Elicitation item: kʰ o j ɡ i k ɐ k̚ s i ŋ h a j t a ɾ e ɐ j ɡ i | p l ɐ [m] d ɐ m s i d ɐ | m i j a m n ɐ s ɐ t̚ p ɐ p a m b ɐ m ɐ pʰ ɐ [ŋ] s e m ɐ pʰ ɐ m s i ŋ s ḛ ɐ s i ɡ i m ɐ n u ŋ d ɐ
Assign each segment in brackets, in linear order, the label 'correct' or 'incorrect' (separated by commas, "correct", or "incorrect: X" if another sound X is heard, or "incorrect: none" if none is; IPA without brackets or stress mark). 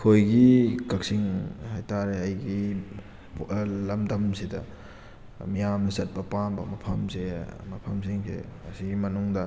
correct, incorrect: m